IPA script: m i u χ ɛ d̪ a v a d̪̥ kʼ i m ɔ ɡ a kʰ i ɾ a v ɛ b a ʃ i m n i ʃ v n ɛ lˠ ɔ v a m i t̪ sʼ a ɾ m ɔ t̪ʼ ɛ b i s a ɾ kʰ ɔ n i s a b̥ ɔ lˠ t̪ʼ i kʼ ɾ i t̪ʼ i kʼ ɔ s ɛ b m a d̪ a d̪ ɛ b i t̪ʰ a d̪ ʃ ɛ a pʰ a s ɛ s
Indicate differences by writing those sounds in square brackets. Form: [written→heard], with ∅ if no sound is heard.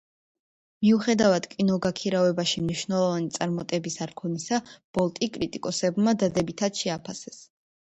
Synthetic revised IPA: m i u χ ɛ d̪ a v a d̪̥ kʼ i [m→n] ɔ ɡ a kʰ i ɾ a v ɛ b a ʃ i m n i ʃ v n ɛ lˠ ɔ v a [m→n] i t̪ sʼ a ɾ m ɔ t̪ʼ ɛ b i s a ɾ kʰ ɔ n i s a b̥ ɔ lˠ t̪ʼ i kʼ ɾ i t̪ʼ i kʼ ɔ s ɛ b m a d̪ a d̪ ɛ b i t̪ʰ a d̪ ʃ ɛ a pʰ a s ɛ s